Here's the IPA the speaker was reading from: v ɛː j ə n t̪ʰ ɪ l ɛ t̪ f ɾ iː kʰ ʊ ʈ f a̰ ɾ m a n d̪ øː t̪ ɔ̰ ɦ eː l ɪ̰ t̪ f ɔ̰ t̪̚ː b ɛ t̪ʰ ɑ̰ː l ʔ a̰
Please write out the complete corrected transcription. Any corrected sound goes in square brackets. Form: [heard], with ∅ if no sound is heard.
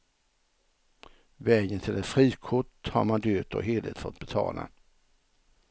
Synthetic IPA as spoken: v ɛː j ə n t̪ʰ ɪ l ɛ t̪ f ɾ iː kʰ ʊ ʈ [h] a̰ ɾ m a n d̪ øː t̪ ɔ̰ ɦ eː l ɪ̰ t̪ f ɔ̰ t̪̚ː b ɛ t̪ʰ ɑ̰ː l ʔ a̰